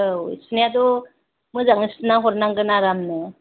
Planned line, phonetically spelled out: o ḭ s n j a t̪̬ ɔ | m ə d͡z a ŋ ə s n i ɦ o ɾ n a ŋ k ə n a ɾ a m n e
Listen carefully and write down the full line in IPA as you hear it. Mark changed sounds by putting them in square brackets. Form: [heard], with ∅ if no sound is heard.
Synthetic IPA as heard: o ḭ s n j a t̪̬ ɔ | m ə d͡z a ŋ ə s n [a] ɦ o ɾ n a ŋ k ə n a ɾ a m n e